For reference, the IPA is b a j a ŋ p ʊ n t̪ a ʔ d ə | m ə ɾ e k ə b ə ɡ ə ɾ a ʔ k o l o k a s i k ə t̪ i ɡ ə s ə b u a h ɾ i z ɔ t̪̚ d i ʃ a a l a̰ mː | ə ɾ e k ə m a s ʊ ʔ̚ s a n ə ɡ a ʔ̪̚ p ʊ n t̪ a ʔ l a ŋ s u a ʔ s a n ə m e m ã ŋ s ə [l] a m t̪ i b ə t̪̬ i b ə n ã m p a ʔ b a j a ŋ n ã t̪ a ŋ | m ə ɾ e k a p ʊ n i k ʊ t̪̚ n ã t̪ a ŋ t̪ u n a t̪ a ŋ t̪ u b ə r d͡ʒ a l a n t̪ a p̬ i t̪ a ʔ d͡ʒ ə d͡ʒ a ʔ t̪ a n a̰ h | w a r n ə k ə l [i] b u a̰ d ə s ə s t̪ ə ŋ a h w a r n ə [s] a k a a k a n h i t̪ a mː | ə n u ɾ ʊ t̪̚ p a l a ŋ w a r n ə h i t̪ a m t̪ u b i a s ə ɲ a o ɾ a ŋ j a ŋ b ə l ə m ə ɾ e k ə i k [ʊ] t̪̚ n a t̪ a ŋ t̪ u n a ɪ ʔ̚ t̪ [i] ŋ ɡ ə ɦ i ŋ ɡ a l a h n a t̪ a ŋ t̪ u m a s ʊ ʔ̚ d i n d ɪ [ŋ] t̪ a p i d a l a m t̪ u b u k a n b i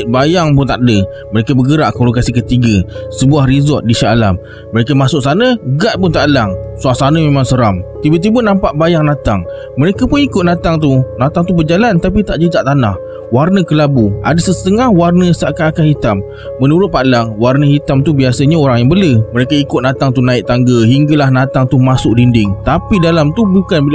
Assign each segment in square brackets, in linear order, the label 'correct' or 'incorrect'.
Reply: incorrect: ɾ, incorrect: a, correct, correct, incorrect: a, correct

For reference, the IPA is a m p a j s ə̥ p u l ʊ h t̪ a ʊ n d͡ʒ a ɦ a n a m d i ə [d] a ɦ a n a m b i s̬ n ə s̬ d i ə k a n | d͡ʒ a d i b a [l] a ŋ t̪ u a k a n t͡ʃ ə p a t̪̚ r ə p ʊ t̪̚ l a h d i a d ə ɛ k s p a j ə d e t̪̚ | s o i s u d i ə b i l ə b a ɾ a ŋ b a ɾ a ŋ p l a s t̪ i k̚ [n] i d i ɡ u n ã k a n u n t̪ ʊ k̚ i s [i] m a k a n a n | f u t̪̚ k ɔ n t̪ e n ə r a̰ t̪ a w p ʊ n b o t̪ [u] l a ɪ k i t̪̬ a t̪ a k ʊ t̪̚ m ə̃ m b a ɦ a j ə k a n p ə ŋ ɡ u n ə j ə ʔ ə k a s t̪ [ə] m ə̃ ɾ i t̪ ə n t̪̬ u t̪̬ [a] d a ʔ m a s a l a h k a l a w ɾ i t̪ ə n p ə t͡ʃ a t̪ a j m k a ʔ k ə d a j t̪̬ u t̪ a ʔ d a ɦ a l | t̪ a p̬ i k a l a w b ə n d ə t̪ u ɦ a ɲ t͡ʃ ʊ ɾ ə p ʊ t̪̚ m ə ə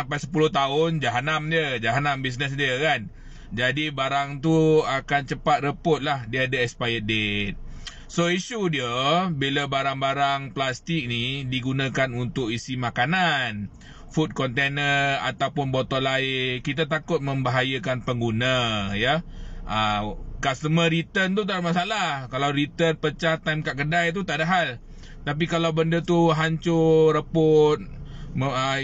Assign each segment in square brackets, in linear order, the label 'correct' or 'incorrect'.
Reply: incorrect: d͡ʒ, incorrect: ɾ, correct, correct, incorrect: ɔ, correct, correct

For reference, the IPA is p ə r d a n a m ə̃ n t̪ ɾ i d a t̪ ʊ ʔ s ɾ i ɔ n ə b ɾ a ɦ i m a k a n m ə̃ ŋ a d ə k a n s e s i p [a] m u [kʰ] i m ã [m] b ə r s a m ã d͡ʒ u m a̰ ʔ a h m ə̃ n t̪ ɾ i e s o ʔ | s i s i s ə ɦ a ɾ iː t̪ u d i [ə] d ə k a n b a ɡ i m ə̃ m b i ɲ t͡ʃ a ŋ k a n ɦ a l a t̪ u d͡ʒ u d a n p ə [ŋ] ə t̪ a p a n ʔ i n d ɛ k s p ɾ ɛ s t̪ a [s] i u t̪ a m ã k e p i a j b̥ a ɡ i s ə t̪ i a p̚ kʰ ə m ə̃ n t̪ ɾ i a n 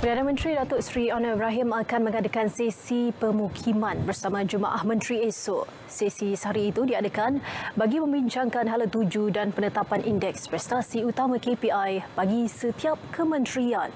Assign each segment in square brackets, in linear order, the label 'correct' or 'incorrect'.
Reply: incorrect: ə, correct, incorrect: n, incorrect: a, incorrect: n, correct

